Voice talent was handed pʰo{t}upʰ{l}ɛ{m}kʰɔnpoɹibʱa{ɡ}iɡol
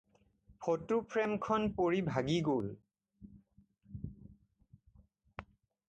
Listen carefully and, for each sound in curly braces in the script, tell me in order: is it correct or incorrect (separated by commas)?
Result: correct, incorrect, correct, correct